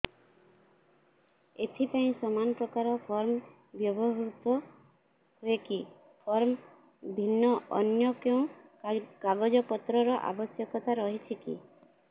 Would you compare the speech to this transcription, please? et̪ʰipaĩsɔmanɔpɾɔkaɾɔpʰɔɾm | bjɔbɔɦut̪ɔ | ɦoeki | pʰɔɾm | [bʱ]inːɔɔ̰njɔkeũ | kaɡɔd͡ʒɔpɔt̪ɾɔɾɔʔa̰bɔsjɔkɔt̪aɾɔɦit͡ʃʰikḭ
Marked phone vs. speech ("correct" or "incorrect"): correct